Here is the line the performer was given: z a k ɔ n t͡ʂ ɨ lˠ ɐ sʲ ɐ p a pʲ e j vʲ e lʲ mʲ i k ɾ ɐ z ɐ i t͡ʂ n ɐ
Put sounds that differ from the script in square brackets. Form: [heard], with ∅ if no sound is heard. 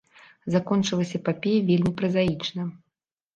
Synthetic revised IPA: z a k ɔ n t͡ʂ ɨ lˠ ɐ sʲ ɐ p a pʲ e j vʲ e lʲ mʲ i [p] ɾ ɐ z [a] i t͡ʂ n ɐ

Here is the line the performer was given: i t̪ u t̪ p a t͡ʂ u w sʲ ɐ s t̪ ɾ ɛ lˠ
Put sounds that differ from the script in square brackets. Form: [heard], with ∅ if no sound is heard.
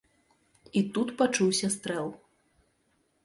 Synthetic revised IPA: i t̪ u t̪ p a t͡ʂ u w sʲ ɐ s t̪ ɾ ɛ lˠ

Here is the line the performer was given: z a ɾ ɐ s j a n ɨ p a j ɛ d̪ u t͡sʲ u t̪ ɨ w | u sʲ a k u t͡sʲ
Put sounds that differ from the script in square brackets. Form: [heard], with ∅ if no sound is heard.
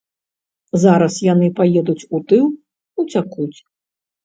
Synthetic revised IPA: z a ɾ ɐ s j a n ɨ p a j ɛ d̪ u t͡sʲ u t̪ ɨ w | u [t͡sʲ] a k u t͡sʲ

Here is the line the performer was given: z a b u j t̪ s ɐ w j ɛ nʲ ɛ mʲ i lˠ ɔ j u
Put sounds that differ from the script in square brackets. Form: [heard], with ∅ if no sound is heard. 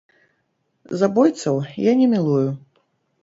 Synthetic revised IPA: z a b [ɔ] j t̪ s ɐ w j [a] nʲ ɛ mʲ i lˠ [u] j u

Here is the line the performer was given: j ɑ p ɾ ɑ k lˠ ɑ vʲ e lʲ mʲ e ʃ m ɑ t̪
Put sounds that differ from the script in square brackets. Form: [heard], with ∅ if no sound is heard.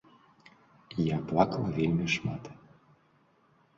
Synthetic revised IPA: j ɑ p [l] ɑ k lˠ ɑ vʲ e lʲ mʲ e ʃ m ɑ t̪

